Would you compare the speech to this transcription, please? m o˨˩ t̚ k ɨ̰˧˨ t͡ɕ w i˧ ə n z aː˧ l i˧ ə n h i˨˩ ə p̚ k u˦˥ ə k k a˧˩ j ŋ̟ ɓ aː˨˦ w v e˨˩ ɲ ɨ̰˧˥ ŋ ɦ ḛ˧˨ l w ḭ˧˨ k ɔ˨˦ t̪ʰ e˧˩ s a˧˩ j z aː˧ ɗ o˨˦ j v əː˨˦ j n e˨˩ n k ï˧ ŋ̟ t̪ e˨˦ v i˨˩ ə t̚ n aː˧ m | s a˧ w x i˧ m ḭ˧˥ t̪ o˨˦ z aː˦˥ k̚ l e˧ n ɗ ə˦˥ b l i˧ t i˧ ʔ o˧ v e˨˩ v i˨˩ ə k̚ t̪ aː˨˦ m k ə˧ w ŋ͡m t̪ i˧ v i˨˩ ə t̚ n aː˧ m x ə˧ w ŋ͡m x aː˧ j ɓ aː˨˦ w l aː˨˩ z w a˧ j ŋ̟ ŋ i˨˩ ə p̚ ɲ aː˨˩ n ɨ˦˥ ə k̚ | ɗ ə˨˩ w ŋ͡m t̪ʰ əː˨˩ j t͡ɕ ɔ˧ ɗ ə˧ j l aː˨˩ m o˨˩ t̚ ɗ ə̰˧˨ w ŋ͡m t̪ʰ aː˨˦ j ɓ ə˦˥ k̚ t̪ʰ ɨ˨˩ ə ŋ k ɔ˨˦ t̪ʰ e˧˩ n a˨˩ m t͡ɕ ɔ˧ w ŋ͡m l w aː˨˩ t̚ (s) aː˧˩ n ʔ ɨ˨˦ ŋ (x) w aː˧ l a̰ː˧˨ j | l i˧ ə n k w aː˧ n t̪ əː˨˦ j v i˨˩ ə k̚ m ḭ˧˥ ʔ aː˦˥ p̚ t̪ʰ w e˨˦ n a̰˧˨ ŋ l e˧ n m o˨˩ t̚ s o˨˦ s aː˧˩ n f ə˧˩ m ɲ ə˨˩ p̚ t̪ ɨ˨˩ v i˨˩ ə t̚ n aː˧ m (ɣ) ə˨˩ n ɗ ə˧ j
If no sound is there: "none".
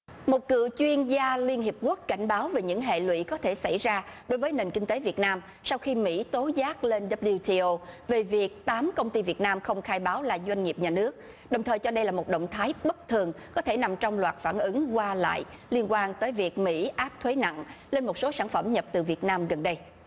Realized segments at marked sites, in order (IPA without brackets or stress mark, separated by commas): f, k, ɣ